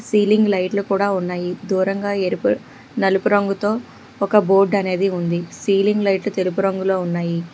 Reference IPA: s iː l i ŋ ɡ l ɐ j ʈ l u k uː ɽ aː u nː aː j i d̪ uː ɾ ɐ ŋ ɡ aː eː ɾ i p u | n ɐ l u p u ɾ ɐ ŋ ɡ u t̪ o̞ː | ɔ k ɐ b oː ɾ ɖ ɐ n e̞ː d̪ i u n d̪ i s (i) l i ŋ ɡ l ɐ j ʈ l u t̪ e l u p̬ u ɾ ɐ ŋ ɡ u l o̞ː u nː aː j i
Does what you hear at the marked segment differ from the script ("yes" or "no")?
yes